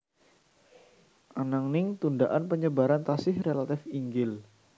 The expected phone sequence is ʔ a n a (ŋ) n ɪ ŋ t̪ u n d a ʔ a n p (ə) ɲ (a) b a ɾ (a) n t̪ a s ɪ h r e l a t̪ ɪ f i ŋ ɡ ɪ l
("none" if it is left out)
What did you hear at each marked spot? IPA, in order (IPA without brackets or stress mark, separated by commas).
ŋ, ə, ə, a